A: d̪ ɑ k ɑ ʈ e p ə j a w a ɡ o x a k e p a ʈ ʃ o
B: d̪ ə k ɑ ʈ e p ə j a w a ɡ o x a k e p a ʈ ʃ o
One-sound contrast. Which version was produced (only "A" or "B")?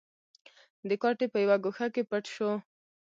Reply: B